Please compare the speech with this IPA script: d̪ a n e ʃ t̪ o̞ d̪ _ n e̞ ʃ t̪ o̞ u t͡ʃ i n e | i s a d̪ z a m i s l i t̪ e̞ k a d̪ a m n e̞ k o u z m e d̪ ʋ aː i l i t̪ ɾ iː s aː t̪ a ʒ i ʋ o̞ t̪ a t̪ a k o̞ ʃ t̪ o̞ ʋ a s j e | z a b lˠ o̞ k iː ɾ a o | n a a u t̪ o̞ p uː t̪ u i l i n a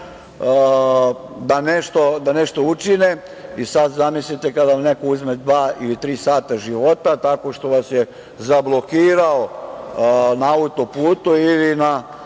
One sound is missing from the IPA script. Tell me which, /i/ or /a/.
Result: a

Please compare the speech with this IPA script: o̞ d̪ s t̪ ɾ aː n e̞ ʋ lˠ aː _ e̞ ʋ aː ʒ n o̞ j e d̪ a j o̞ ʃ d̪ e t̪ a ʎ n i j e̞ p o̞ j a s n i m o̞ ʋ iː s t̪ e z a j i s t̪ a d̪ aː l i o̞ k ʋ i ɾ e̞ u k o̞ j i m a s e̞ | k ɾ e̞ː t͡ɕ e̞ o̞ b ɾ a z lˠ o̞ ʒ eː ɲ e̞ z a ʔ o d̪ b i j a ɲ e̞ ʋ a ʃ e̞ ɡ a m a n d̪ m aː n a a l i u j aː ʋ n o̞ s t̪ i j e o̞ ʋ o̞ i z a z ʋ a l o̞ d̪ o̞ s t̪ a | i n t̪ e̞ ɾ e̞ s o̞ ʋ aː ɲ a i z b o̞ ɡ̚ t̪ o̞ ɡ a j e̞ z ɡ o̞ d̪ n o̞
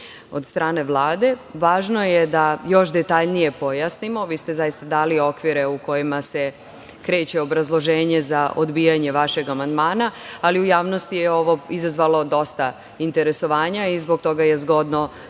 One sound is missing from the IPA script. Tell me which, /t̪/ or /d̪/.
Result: d̪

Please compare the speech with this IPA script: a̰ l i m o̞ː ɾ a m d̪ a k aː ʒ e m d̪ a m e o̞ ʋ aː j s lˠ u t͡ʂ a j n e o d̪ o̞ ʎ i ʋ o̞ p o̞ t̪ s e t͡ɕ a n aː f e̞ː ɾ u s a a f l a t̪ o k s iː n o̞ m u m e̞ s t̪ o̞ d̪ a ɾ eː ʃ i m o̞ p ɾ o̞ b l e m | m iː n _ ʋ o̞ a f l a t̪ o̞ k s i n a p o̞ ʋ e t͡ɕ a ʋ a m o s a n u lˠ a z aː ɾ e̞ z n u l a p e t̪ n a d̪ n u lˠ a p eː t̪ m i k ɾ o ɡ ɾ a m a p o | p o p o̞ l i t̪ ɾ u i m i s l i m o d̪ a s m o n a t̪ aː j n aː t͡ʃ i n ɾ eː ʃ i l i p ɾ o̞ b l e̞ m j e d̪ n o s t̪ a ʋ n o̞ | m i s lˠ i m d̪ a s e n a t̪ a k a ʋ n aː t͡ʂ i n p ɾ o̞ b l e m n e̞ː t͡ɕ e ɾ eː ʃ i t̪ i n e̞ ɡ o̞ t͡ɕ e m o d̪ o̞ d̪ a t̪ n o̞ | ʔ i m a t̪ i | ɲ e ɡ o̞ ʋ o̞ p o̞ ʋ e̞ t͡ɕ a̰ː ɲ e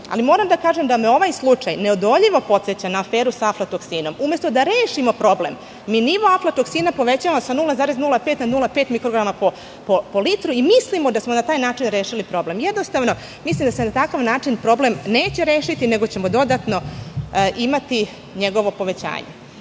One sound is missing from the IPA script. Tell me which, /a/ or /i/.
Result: i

